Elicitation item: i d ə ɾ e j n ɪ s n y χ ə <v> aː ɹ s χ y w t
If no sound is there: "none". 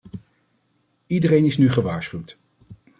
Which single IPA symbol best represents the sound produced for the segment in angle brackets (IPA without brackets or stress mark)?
ʋ